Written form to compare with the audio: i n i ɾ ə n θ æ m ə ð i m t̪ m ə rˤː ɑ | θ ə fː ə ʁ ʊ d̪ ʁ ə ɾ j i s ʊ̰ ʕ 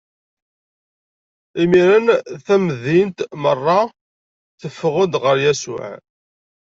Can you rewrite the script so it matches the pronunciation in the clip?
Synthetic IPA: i m i ɾ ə n θ æ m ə ð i n t̪ m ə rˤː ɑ | θ ə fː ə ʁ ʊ d̪ ʁ ə ɾ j æ s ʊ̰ ʕ